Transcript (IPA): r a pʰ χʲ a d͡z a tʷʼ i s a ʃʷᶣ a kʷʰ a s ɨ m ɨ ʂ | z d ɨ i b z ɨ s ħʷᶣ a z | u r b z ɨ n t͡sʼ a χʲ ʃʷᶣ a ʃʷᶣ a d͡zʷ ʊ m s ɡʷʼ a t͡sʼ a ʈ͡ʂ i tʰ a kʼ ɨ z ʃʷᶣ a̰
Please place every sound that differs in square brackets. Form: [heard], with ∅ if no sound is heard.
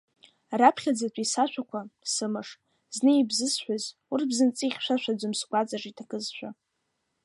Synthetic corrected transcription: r a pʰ χʲ a d͡z a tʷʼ i s a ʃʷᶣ a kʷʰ a s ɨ m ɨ ʂ | z [n] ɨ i b z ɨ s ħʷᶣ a z | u r b z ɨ n t͡sʼ [i] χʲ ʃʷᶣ a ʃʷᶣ a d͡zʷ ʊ m s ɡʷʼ a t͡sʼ a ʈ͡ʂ i tʰ a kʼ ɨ z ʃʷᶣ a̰